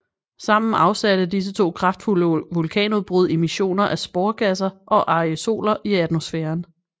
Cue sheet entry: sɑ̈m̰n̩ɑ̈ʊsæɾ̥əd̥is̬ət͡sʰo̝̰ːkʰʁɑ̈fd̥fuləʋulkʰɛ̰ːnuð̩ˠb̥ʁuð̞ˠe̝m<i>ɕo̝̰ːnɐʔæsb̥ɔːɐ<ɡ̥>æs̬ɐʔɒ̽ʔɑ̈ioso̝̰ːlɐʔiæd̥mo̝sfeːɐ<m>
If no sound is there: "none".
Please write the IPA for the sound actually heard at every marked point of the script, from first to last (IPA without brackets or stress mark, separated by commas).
i, ɡ̥, n